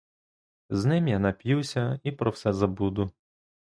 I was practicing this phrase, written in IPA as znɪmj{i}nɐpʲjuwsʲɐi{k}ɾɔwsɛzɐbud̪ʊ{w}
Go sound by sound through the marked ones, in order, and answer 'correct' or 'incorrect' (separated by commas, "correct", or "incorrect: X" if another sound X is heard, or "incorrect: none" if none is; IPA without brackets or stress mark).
incorrect: a, incorrect: p, incorrect: none